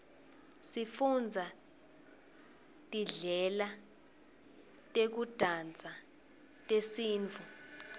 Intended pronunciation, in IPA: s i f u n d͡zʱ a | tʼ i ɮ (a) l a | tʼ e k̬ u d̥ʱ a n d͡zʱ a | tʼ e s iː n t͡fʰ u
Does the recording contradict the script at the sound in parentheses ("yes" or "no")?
yes